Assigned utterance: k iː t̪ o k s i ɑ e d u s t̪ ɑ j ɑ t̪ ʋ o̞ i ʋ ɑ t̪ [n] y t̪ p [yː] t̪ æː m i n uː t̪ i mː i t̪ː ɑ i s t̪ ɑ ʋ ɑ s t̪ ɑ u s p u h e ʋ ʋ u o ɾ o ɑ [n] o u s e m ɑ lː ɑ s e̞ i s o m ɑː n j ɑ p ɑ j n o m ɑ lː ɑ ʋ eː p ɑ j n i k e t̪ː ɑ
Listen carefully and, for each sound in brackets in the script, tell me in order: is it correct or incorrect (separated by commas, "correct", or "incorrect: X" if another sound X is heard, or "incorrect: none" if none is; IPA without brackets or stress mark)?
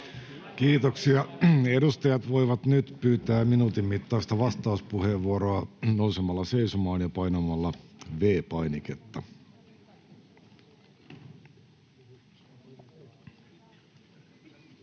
correct, correct, correct